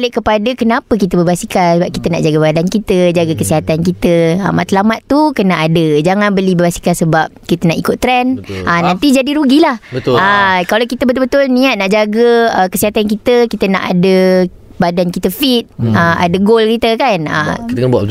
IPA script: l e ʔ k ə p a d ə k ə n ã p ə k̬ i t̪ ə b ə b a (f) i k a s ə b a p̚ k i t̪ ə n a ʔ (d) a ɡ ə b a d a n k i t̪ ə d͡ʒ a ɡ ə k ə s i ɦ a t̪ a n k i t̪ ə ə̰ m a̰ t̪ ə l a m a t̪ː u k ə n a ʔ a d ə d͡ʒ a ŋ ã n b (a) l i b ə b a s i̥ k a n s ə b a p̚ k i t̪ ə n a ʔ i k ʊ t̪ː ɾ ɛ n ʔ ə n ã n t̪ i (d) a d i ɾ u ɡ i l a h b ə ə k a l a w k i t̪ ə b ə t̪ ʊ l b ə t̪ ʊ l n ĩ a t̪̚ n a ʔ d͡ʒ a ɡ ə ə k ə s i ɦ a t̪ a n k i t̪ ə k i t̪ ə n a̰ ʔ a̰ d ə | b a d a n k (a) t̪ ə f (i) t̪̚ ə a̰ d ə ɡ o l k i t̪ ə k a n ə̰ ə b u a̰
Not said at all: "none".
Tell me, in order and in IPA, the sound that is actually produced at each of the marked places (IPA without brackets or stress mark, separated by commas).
s, d͡ʒ, ə, d͡ʒ, i, i